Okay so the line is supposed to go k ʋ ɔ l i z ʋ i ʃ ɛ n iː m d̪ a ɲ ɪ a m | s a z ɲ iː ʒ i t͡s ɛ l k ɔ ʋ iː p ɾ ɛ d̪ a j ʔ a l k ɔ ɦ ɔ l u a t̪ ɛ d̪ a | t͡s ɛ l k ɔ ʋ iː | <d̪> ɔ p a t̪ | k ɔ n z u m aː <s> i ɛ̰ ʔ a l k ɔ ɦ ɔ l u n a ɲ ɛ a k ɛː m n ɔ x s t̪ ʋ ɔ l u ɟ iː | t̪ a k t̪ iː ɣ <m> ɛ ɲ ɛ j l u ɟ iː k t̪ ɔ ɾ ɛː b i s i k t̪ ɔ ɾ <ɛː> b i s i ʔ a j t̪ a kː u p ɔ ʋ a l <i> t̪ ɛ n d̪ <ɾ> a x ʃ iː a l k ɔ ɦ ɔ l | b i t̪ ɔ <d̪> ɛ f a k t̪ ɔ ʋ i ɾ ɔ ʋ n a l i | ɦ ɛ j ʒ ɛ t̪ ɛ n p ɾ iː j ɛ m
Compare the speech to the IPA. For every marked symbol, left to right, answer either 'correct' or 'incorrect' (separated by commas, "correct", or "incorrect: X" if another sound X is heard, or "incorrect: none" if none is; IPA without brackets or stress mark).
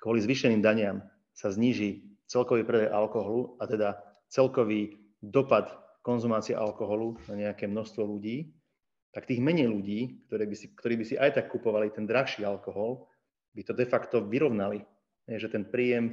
correct, incorrect: t͡s, correct, incorrect: iː, correct, correct, correct